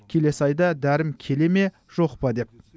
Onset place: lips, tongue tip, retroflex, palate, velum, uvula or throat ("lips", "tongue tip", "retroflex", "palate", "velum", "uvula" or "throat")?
velum